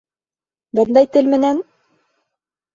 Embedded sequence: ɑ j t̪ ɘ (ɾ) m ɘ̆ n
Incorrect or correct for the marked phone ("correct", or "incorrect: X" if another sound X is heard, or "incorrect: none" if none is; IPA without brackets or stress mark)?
incorrect: l